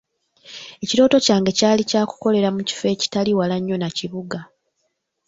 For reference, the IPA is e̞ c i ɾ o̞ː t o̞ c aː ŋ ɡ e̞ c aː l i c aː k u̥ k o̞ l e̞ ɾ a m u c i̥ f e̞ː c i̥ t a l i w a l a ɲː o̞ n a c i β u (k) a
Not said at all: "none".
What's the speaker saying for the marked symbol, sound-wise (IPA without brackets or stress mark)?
ɡ